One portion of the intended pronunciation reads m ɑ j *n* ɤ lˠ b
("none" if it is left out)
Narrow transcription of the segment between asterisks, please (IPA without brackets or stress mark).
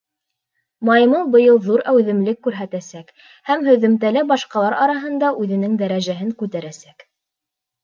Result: m